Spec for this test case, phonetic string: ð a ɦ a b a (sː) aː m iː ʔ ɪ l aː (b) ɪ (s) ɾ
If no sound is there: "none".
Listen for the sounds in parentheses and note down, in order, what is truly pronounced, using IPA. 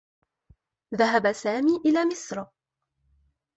s, m, s

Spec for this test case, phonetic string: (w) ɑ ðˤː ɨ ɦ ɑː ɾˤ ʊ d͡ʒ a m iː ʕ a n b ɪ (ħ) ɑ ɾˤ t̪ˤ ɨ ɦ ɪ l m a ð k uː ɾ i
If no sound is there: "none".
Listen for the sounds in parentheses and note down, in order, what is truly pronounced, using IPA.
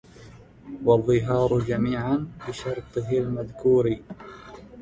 w, ʃ

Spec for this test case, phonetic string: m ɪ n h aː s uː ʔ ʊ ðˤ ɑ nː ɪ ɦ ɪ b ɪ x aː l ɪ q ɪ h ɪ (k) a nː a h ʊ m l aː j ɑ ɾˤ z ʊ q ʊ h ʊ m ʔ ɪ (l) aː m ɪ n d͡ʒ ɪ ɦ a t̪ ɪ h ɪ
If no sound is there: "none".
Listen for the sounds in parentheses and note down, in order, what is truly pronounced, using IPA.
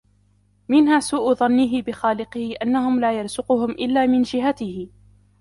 ʔ, lː

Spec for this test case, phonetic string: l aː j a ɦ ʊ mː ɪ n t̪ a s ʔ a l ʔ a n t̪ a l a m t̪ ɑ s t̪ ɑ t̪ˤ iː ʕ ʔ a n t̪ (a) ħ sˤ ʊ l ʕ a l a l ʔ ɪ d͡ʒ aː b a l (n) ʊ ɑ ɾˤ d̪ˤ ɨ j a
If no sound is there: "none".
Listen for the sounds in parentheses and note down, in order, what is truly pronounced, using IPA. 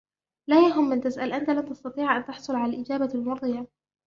ɑ, m

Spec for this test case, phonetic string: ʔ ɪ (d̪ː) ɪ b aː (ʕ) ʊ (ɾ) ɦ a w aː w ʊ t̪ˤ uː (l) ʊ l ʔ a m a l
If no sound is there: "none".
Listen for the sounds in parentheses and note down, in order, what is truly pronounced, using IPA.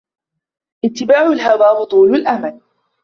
t̪ː, ʕ, l, l

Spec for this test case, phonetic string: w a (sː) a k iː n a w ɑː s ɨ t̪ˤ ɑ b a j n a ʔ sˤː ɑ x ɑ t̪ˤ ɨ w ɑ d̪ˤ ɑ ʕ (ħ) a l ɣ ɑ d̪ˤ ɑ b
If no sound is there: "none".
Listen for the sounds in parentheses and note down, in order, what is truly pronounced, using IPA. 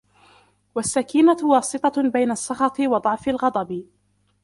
sː, f

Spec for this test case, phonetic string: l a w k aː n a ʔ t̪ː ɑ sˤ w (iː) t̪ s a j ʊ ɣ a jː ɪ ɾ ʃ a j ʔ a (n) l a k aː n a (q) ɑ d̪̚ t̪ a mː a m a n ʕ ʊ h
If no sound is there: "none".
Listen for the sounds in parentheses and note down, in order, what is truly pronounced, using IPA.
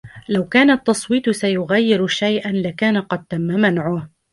iː, n, q

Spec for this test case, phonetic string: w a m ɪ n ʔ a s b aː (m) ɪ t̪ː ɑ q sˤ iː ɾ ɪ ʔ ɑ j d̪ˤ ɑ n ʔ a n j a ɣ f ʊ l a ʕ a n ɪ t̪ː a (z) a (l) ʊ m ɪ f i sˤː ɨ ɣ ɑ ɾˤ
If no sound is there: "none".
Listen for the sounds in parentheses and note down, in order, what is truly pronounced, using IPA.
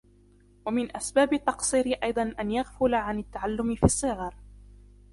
b, ʕ, lː

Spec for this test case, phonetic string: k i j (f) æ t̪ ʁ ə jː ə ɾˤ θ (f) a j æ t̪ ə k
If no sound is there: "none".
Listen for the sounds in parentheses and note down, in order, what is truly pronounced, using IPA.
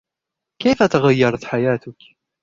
f, ħ

